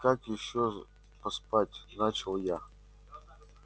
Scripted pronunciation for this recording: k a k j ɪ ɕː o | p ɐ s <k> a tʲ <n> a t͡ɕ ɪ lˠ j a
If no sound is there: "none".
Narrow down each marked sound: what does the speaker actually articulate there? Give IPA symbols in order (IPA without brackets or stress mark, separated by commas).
p, n